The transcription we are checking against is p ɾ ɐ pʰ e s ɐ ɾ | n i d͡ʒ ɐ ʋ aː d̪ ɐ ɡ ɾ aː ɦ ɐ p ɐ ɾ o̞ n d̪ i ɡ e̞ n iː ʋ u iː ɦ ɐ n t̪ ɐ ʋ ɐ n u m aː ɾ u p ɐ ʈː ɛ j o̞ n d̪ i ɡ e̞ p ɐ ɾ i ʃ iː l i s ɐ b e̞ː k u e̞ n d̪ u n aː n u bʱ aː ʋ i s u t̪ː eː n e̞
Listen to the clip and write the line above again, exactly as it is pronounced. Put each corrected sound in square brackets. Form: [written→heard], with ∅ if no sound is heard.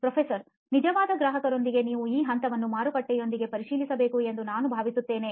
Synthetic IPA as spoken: p ɾ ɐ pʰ e s ɐ ɾ | n i d͡ʒ ɐ ʋ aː d̪ ɐ ɡ ɾ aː ɦ ɐ [p→k] ɐ ɾ o̞ n d̪ i ɡ e̞ n iː ʋ u iː ɦ ɐ n t̪ ɐ ʋ ɐ [n→nː] u m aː ɾ u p ɐ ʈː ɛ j o̞ n d̪ i ɡ e̞ p ɐ ɾ i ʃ iː l i s ɐ b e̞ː k u e̞ n d̪ u n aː n u bʱ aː ʋ i s u t̪ː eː n e̞